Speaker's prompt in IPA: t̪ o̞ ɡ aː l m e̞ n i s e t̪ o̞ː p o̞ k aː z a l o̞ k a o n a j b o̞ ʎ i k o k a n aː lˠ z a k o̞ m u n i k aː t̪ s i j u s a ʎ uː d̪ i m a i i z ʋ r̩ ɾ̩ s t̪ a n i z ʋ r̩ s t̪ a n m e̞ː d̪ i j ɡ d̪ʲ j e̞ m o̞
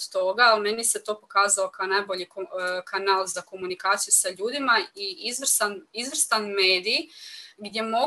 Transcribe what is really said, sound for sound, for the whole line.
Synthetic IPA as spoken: t̪ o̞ ɡ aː l m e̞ n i s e t̪ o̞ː p o̞ k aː z a l o̞ k a o n a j b o̞ ʎ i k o k a n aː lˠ z a k o̞ m u n i k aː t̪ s i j u s a ʎ uː d̪ i m a i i z ʋ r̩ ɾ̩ s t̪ a n i z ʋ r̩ s t̪ a n m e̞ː d̪ i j ɡ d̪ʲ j e̞ m o̞